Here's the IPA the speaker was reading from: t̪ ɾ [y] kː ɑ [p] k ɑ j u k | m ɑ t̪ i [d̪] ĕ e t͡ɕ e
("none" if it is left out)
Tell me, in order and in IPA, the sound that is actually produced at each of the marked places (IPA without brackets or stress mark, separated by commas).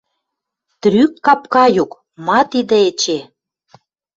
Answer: y, p, d̪